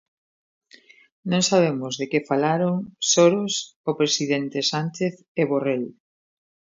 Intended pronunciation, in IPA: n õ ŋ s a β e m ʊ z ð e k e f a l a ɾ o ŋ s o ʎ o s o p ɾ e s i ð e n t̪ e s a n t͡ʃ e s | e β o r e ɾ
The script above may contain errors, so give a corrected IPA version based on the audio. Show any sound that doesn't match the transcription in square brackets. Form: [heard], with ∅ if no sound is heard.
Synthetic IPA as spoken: n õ ŋ s a β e m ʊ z ð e k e f a l a ɾ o ŋ s o [ɾ] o s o p ɾ e s i ð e n t̪ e s a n t͡ʃ e [θ] | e β o r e [l]